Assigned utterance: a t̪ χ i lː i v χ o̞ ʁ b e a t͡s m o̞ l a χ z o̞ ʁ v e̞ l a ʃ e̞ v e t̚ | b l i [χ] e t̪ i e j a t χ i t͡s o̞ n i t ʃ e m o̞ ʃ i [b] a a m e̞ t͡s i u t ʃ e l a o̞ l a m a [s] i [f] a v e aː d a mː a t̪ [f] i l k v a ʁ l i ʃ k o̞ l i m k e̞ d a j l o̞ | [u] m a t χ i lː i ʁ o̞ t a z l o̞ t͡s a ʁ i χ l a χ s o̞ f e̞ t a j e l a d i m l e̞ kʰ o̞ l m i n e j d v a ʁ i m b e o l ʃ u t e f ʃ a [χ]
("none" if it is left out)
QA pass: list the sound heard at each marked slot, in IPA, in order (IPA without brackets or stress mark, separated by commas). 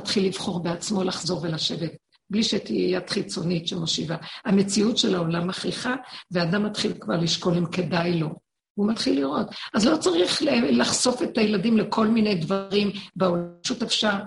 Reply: ʃ, v, χ, χ, χ, u, ʁ